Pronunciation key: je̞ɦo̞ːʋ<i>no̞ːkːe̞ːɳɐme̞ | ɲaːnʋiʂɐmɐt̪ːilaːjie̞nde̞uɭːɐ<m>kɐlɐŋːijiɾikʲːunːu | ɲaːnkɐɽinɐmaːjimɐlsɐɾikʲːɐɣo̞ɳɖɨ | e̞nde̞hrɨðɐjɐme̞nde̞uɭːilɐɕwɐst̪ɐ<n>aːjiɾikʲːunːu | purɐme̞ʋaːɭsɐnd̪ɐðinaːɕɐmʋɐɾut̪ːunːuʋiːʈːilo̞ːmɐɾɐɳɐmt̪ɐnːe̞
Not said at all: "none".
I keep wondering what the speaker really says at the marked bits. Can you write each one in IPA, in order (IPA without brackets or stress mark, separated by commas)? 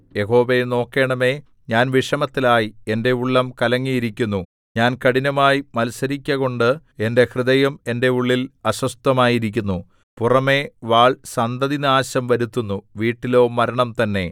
e, m, m